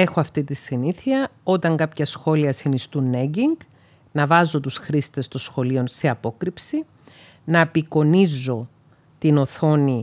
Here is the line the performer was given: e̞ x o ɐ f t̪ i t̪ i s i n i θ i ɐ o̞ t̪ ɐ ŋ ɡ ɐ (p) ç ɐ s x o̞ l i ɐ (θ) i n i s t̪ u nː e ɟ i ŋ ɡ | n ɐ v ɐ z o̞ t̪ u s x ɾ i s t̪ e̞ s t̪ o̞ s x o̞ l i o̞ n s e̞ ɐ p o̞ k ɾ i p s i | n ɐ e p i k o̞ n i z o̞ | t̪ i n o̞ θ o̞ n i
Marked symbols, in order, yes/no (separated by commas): yes, no